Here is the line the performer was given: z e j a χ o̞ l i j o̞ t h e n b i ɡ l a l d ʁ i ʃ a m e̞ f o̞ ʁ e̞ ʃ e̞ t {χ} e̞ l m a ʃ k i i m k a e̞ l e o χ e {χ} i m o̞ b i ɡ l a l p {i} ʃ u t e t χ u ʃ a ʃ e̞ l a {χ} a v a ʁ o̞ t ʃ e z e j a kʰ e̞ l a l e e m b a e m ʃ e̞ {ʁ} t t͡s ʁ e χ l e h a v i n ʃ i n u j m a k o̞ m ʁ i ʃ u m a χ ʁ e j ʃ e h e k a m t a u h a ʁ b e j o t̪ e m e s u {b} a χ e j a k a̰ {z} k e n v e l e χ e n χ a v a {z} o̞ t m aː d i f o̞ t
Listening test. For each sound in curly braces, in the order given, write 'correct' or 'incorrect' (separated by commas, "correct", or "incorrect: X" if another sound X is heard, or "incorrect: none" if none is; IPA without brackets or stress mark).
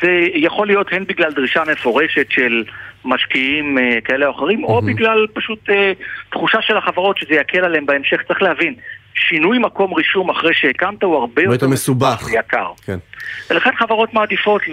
incorrect: ʃ, incorrect: ʁ, incorrect: a, correct, incorrect: χ, correct, incorrect: ʁ, incorrect: ʁ